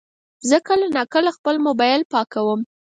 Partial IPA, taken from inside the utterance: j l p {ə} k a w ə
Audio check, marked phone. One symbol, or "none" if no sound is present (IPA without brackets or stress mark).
ɑ